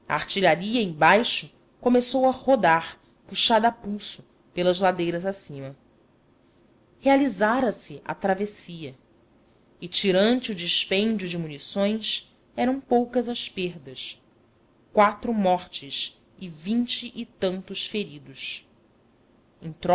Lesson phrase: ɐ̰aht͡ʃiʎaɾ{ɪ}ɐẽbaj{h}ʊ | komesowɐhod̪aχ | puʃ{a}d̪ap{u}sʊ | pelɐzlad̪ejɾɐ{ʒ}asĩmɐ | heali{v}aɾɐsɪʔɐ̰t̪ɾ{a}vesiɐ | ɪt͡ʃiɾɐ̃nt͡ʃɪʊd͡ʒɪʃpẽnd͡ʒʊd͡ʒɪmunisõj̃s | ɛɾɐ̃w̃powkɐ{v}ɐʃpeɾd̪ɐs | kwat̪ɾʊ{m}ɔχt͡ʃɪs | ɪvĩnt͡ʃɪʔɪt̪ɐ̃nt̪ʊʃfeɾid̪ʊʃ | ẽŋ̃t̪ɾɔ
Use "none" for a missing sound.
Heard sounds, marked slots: i, ʃ, a, u, z, z, a, z, m

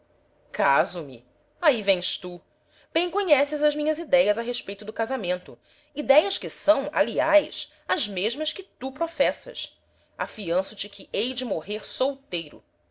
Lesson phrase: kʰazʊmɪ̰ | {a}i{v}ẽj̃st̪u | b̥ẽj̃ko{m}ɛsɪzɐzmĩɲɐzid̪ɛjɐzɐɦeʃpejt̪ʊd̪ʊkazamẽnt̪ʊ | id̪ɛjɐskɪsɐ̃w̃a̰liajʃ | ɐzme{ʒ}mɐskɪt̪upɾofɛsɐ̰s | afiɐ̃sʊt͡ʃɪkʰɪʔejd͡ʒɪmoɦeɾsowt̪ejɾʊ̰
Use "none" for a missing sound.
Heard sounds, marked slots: a, v, ɲ, ʒ

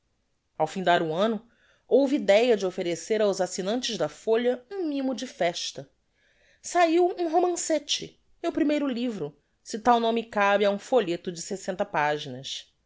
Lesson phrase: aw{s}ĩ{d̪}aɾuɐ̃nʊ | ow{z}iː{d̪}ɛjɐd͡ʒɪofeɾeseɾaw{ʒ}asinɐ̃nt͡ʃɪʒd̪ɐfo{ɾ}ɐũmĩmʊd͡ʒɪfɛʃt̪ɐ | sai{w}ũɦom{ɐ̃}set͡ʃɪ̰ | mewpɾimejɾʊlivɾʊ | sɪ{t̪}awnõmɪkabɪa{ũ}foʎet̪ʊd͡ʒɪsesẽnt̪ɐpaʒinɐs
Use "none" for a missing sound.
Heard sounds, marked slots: f, d̪, v, d̪, z, ʎ, w, ɐ̃, t̪, ũ

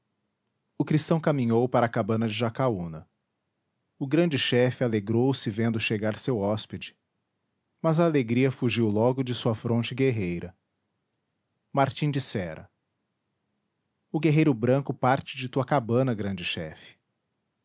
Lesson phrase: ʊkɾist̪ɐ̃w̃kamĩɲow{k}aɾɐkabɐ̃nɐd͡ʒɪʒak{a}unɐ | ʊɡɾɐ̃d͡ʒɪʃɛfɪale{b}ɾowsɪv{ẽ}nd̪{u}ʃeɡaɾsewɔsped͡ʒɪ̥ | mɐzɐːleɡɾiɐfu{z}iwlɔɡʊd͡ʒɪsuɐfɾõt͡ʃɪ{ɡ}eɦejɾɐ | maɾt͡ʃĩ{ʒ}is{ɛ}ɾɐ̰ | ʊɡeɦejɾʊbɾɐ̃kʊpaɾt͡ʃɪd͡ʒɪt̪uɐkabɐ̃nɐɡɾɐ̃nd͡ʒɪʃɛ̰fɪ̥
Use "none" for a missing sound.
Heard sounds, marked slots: p, a, ɡ, ẽ, ʊ, ʒ, ɡ, d͡ʒ, ɛ

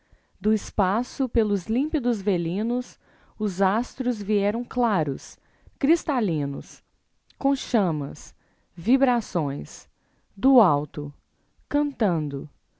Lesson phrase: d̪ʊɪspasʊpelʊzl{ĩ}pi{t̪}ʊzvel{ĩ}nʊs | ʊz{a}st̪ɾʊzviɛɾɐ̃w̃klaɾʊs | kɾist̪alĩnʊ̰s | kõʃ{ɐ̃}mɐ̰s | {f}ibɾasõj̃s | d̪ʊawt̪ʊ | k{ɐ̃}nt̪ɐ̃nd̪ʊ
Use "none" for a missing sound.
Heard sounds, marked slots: ĩ, d̪, ĩ, a, ɐ̃, v, ɐ̃

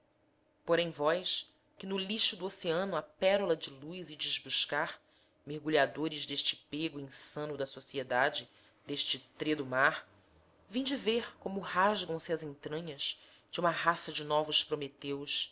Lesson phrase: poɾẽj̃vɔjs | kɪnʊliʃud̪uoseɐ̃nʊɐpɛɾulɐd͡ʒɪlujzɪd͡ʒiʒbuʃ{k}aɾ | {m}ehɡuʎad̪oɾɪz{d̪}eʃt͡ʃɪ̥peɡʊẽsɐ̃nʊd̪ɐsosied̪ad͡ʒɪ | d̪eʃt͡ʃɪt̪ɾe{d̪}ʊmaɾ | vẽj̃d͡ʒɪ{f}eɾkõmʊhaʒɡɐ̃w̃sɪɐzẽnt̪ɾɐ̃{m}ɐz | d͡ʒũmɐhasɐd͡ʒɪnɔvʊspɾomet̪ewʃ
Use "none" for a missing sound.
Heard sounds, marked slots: k, m, d̪, d̪, v, ɲ

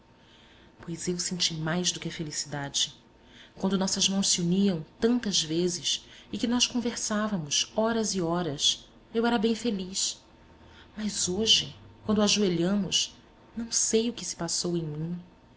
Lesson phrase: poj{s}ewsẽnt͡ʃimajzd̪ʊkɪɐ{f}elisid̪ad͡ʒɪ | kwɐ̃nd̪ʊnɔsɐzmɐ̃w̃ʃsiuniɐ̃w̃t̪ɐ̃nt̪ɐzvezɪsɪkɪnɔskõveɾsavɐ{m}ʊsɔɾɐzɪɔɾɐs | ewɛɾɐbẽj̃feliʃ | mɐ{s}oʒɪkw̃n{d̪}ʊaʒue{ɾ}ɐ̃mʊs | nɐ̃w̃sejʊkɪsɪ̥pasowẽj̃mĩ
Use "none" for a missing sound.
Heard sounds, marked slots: z, f, m, z, d̪, ʎ

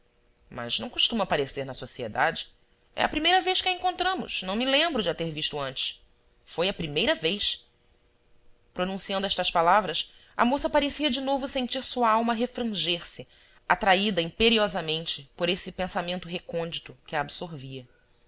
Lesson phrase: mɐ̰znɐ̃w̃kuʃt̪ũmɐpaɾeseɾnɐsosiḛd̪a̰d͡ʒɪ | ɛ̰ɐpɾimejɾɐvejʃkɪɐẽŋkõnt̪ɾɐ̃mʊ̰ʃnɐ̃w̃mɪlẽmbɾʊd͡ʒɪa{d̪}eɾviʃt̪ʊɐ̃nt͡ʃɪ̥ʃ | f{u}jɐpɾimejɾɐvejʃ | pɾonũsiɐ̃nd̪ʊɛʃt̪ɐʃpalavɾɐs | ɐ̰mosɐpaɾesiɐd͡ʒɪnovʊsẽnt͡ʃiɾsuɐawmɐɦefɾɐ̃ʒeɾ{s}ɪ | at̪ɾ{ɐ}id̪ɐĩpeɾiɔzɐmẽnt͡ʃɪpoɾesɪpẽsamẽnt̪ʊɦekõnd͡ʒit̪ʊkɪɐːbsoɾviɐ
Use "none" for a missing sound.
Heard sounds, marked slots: t̪, o, s, a

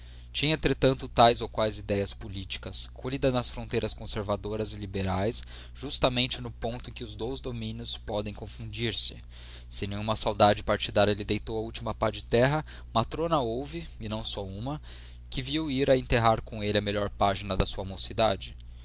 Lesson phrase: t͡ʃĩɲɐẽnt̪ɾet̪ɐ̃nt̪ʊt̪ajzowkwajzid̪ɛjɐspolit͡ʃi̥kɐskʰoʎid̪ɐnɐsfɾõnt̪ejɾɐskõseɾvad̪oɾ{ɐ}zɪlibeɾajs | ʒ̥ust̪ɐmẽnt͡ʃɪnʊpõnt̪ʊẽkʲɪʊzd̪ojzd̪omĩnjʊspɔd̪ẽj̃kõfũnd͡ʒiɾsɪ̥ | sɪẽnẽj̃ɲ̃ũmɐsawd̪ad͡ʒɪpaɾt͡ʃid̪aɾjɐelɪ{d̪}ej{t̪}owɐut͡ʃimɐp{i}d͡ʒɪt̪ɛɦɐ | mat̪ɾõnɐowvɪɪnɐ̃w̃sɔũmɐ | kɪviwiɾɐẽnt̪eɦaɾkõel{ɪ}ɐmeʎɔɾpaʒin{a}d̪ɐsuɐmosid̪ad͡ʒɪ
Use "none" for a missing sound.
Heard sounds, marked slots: ɐ, d̪, t̪, a, ɪ, ɐ

